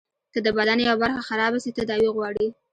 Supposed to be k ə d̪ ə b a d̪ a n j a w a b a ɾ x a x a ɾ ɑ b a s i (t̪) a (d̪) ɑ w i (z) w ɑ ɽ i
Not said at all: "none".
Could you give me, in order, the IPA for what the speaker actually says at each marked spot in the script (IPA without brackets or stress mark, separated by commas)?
t̪, d̪, ɣ